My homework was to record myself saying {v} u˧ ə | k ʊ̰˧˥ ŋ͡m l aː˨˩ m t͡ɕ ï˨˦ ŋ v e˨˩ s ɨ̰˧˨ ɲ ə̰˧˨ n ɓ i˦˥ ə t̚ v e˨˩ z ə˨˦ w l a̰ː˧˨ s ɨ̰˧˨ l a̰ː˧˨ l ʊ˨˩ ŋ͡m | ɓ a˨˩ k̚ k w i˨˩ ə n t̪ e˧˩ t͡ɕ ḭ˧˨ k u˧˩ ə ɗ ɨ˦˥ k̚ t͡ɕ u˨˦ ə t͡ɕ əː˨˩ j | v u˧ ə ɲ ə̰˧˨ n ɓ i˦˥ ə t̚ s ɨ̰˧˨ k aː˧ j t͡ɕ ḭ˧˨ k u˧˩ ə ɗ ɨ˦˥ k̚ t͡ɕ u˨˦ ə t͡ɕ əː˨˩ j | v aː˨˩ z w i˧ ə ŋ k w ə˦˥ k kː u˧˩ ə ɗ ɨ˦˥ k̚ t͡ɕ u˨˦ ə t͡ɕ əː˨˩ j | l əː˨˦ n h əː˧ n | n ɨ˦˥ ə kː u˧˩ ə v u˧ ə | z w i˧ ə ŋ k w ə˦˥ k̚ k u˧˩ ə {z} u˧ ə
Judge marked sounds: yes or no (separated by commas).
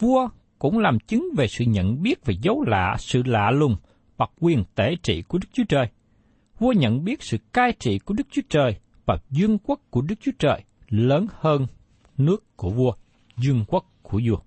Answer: yes, yes